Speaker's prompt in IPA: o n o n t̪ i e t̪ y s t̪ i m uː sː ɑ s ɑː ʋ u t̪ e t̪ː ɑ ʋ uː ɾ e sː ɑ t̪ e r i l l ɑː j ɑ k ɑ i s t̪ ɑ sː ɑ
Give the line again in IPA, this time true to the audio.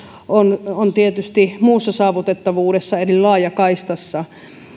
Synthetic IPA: o n o n t̪ i e t̪ y s t̪ i m uː sː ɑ s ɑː ʋ u t̪ e t̪ː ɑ ʋ uː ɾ e sː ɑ e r i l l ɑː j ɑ k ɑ i s t̪ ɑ sː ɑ